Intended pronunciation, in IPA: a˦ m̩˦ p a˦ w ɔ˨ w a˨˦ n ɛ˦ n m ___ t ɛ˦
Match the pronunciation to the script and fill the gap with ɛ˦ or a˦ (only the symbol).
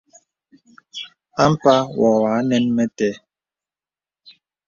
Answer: ɛ˦